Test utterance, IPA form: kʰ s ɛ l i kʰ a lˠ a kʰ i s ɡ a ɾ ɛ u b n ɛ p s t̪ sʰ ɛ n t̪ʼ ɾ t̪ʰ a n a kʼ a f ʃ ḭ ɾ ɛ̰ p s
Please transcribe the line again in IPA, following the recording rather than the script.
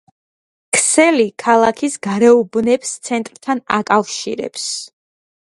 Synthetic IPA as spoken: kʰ s ɛ l i kʰ a lˠ a kʰ i s ɡ a ɾ ɛ u b n ɛ p s t̪ sʰ ɛ n t̪ʼ ɾ t̪ʰ a n a kʼ a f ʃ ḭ ɾ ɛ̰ p s